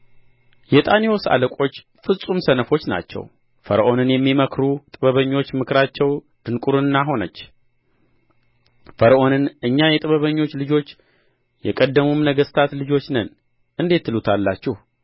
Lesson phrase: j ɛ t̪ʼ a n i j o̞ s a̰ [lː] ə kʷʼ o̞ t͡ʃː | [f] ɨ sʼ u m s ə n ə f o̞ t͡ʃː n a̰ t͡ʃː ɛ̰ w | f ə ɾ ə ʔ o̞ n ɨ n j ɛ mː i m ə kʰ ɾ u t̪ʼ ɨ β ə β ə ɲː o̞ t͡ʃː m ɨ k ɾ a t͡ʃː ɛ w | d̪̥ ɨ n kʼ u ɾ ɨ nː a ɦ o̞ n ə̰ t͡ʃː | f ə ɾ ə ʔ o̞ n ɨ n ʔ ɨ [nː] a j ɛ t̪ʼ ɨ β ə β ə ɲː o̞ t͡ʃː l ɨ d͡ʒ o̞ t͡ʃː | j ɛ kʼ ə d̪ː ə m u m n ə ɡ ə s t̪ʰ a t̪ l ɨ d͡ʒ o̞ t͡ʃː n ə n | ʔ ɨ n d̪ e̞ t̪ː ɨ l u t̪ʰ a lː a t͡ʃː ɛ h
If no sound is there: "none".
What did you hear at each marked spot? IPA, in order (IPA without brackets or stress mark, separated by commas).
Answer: l, f, ɲː